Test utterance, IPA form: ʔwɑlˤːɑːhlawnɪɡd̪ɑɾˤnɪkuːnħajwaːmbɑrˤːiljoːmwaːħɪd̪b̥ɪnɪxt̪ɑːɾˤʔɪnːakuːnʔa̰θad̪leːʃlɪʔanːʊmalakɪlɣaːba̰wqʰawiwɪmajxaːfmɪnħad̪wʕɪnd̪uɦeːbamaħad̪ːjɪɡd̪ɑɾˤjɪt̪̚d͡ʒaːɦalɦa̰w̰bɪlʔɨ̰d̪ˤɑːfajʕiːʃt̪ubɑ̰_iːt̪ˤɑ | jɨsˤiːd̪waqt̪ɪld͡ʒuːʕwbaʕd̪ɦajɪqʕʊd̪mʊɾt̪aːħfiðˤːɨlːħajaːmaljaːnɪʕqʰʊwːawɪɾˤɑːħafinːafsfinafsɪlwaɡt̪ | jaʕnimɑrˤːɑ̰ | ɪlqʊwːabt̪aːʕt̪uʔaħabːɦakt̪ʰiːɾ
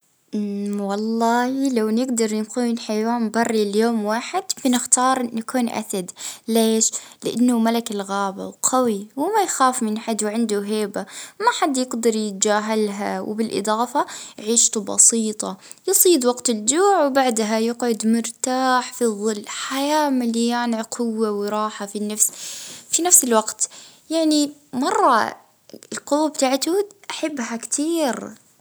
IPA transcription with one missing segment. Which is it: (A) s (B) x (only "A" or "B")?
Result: A